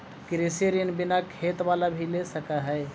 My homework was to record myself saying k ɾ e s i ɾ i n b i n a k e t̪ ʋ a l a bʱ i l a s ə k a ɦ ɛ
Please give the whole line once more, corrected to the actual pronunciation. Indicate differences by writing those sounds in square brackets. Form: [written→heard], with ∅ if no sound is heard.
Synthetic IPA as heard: k ɾ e s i ɾ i n b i n a [k→kʰ] e t̪ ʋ a l a bʱ i l [a→e] s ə k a ɦ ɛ